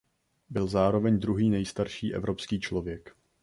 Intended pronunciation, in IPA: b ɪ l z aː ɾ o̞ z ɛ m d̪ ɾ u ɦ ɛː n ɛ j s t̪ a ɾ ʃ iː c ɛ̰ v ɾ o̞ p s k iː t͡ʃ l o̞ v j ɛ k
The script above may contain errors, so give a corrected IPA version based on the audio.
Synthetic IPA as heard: b ɪ l z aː ɾ o̞ v ɛ ɲ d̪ ɾ u ɦ iː n ɛ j s t̪ a ɾ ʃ iː ʔ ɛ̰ v ɾ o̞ p s k iː t͡ʃ l o̞ v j ɛ k